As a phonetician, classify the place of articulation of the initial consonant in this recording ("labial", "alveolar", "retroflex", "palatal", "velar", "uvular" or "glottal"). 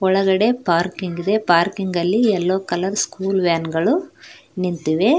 retroflex